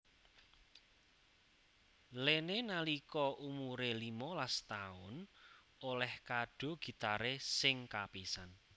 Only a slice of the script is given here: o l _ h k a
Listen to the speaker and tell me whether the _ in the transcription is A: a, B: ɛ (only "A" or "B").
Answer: B